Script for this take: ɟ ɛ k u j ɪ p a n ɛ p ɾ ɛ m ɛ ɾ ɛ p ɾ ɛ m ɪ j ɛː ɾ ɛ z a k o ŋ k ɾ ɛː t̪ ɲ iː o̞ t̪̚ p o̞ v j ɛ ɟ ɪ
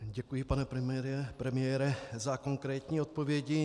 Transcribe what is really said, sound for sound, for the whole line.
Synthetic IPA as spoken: ɟ ɛ k u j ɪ p a n ɛ p ɾ ɛ m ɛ ɾ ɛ p ɾ ɛ m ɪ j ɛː ɾ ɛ z a k o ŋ k ɾ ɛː t̪ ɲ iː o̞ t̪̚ p o̞ v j ɛ ɟ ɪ